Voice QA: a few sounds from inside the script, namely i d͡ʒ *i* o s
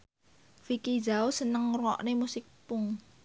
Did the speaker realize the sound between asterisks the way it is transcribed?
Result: no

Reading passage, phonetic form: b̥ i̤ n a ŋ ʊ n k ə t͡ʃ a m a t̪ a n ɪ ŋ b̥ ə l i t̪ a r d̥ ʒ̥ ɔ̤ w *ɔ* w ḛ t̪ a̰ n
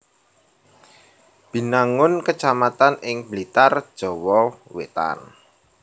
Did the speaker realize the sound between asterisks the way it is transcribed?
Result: yes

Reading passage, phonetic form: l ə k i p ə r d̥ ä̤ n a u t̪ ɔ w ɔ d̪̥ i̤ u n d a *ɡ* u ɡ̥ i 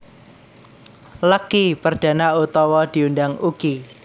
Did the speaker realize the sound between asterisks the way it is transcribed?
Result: no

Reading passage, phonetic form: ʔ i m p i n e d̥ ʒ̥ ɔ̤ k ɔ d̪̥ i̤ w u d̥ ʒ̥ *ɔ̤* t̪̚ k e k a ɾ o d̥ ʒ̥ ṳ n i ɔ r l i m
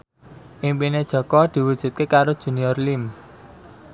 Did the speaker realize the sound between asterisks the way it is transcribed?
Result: no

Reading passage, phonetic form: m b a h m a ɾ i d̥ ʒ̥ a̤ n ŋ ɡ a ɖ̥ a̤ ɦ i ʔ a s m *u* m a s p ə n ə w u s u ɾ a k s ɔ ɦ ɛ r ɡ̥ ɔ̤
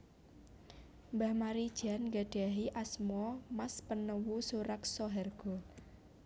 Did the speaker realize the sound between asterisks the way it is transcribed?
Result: no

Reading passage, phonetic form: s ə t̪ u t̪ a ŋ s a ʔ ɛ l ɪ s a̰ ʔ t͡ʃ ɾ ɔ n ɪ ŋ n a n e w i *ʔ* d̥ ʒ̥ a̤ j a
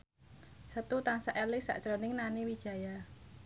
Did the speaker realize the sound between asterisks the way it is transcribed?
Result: no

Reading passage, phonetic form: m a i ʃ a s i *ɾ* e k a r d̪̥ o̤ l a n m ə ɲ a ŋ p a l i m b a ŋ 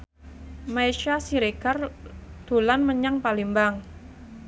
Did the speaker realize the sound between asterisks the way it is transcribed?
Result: yes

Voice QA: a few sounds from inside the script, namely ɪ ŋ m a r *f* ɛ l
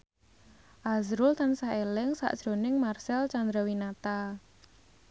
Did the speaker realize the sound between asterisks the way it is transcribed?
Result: no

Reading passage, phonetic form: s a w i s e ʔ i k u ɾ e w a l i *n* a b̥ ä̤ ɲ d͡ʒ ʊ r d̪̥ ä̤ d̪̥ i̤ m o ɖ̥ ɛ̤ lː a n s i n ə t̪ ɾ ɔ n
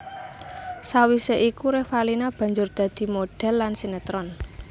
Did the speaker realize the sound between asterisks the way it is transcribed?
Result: yes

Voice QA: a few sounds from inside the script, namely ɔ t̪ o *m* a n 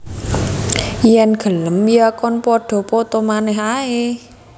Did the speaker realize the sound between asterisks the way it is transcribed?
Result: yes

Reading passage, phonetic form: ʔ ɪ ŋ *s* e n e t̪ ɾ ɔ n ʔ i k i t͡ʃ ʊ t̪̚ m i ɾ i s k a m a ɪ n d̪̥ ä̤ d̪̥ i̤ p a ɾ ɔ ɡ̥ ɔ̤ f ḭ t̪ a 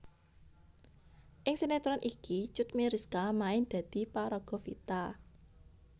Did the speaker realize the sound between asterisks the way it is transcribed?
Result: yes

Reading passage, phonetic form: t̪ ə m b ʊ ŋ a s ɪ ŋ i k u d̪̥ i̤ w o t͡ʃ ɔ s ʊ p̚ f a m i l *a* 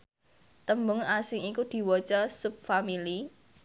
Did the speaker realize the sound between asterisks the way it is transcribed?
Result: no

